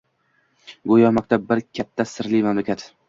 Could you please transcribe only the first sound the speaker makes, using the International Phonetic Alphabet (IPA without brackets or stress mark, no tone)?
ɡ